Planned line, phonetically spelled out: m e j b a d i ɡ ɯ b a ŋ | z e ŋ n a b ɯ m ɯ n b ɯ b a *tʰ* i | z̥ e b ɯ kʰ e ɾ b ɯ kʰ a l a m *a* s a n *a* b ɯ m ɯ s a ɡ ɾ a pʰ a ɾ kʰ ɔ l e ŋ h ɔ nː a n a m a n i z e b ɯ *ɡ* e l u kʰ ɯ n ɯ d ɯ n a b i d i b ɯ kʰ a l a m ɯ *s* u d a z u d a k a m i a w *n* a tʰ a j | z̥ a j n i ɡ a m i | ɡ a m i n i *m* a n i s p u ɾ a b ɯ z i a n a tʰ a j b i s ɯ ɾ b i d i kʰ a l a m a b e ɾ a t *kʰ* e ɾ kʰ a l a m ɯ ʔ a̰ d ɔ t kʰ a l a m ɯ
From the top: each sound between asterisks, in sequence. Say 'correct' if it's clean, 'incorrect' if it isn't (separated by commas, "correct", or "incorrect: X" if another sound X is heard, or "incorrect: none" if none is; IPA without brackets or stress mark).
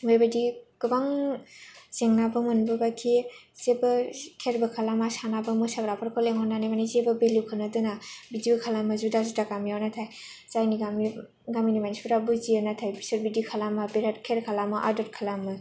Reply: incorrect: kʰ, correct, correct, incorrect: b, incorrect: z, correct, correct, correct